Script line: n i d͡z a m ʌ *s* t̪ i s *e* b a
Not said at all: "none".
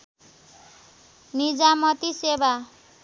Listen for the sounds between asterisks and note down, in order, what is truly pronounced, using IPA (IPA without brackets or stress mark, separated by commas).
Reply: none, e